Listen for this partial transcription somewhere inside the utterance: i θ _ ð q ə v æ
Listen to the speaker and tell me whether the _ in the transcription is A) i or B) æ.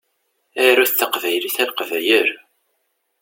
B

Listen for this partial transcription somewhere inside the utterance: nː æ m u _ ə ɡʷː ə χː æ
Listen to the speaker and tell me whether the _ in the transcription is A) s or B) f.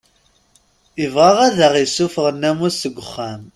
A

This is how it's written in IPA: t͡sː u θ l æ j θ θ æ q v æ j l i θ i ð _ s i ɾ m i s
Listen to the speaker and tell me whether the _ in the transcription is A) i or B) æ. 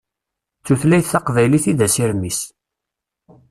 B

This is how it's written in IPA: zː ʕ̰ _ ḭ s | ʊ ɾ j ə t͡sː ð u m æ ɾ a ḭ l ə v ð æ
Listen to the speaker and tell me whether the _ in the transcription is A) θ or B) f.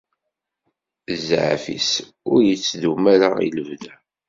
B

